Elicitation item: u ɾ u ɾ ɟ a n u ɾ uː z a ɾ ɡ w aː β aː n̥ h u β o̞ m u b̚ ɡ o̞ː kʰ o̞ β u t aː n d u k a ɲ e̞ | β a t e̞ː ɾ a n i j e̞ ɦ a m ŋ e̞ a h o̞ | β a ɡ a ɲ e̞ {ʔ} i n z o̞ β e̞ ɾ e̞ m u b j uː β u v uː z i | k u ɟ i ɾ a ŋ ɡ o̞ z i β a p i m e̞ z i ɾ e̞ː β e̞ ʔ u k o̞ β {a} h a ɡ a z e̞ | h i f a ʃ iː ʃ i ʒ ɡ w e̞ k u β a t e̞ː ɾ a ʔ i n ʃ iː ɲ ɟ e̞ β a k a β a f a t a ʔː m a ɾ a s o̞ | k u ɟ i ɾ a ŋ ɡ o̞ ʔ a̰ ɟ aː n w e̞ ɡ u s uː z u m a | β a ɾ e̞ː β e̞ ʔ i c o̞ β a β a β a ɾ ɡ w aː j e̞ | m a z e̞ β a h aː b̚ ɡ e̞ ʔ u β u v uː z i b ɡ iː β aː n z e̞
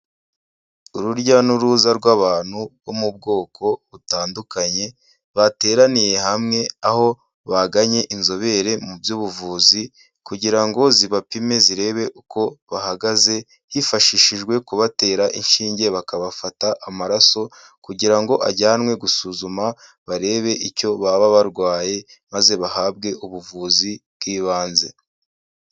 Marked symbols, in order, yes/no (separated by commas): yes, yes